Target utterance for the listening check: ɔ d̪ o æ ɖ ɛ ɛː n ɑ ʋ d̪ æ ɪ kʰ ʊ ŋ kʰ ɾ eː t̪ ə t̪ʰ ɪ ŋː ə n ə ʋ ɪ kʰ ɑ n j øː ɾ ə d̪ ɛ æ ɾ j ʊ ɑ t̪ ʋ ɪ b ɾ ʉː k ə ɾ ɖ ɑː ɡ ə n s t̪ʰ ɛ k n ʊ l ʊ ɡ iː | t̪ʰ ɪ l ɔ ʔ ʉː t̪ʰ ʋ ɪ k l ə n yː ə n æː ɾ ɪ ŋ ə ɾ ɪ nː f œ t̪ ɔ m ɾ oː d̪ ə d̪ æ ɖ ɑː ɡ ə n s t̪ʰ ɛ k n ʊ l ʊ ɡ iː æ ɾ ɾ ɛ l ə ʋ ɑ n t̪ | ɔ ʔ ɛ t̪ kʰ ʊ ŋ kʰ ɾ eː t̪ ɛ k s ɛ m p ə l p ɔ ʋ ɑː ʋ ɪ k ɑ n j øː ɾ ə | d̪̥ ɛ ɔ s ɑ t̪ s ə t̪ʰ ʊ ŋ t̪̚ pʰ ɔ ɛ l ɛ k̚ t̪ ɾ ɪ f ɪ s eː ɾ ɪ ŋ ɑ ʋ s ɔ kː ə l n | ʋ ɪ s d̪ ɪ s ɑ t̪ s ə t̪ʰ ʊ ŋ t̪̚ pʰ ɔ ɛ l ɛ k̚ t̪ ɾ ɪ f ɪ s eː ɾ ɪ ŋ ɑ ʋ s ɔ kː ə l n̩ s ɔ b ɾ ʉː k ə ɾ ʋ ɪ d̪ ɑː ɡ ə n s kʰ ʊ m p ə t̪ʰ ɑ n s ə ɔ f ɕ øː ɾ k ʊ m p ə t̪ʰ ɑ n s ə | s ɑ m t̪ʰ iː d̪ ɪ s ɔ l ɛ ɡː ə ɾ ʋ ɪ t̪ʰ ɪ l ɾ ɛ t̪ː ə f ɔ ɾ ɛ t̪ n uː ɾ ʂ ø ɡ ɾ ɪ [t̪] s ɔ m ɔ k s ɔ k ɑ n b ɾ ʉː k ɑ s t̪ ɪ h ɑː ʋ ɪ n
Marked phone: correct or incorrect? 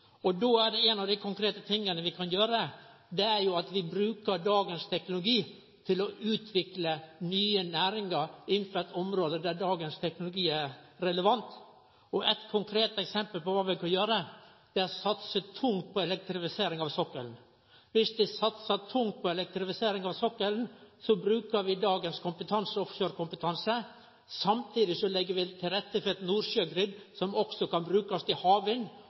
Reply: incorrect